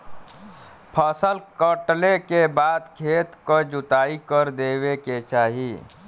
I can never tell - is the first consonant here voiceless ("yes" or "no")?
yes